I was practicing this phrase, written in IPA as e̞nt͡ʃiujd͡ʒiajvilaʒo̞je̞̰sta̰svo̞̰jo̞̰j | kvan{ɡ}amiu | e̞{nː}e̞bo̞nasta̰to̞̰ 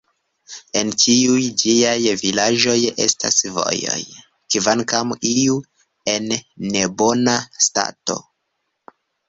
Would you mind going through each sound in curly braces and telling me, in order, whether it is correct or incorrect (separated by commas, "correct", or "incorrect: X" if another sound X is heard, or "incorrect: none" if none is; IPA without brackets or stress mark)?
incorrect: k, correct